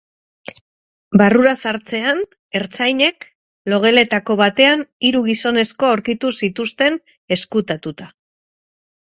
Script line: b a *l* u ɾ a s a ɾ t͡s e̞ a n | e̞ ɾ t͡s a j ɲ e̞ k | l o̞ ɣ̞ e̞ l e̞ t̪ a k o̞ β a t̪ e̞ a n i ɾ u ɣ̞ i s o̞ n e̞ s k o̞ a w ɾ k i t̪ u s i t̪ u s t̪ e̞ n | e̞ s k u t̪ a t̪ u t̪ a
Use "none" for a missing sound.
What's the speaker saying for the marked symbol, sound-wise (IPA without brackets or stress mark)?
r